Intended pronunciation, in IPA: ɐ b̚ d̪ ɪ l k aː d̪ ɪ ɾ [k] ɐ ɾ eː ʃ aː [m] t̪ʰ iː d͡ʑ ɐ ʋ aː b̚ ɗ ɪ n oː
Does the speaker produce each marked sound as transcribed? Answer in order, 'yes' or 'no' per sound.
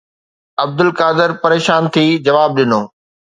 no, no

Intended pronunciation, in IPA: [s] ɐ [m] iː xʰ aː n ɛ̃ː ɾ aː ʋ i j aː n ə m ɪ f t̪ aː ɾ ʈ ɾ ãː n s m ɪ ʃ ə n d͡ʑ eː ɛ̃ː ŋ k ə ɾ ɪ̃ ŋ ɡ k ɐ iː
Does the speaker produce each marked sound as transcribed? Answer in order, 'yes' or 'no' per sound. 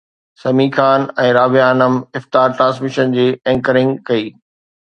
yes, yes

